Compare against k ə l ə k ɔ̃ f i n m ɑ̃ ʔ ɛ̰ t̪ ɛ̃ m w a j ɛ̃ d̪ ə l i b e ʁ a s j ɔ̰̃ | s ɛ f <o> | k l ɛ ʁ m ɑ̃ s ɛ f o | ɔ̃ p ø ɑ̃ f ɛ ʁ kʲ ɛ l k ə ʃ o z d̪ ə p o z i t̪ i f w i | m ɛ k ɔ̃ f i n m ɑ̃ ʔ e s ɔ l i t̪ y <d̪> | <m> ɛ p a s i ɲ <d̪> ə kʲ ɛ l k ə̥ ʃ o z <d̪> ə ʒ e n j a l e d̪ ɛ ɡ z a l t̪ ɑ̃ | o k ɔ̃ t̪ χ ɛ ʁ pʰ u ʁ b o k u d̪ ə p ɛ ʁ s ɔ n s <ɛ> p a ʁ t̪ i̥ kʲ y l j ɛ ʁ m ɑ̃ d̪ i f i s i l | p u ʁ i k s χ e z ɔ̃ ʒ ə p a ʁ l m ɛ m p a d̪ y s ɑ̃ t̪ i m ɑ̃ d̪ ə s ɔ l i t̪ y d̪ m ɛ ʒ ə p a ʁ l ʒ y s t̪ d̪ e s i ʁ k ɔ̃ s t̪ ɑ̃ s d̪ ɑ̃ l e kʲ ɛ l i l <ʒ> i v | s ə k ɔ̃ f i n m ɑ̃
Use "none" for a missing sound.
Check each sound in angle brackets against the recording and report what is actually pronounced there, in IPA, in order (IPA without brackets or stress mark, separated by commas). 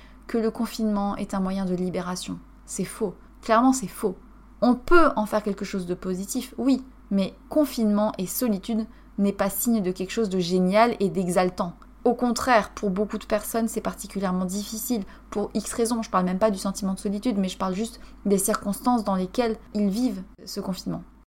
o, d̪, n, d̪, d̪, ɛ, v